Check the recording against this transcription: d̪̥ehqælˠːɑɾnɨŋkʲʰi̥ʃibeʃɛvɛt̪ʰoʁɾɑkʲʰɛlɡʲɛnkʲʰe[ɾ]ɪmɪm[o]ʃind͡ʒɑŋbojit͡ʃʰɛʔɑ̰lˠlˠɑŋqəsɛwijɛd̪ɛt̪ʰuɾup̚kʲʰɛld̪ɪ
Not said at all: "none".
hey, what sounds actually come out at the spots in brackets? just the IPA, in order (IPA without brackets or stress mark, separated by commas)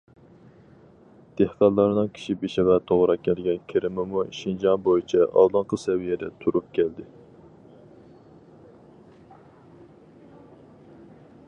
ɾ, u